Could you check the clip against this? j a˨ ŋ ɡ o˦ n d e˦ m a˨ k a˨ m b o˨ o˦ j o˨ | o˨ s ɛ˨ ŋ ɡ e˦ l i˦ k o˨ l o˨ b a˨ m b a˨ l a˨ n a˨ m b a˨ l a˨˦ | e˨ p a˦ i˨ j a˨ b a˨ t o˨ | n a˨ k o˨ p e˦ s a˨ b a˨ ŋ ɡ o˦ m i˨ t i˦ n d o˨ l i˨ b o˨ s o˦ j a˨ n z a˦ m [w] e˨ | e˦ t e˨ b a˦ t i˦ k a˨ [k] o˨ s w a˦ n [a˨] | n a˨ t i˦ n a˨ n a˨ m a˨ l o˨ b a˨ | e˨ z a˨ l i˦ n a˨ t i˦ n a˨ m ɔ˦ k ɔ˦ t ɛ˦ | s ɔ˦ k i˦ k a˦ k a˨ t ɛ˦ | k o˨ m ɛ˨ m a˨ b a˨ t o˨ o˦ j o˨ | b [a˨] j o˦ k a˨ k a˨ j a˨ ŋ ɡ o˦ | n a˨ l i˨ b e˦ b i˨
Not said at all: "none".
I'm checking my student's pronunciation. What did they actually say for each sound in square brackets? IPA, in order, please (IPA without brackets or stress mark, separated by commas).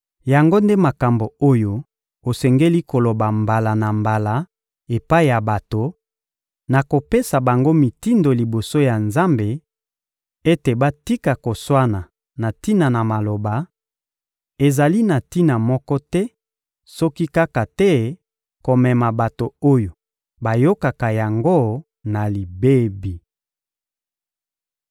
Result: b, k, a˨, a˨